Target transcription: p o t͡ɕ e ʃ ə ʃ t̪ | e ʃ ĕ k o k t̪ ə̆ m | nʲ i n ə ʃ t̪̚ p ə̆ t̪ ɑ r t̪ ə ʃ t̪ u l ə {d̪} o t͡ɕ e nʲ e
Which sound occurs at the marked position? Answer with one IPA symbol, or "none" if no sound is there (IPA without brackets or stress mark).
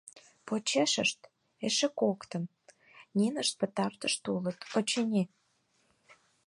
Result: t̪